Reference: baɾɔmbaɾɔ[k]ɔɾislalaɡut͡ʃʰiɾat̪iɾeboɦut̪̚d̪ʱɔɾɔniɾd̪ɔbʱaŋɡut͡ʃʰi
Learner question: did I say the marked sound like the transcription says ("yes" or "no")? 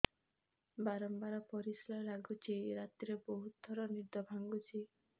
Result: no